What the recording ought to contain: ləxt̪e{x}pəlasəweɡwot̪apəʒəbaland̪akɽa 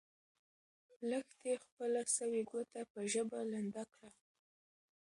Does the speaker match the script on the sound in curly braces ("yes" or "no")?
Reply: yes